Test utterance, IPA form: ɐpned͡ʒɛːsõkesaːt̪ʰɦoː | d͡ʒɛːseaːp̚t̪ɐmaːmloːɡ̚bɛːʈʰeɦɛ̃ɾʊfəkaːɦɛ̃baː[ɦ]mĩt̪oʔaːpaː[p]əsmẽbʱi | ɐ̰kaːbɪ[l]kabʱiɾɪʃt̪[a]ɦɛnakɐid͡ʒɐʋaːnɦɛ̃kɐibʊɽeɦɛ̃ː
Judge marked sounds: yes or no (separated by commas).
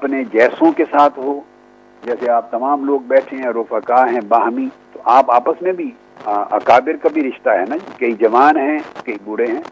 yes, yes, no, yes